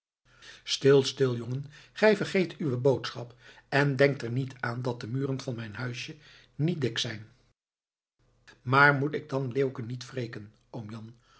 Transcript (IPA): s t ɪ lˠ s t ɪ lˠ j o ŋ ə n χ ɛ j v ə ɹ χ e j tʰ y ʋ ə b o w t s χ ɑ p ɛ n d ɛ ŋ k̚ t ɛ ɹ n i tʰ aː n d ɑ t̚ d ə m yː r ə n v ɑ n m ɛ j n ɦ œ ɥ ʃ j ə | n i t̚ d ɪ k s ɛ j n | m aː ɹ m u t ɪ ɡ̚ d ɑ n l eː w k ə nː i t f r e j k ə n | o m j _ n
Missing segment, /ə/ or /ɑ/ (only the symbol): ɑ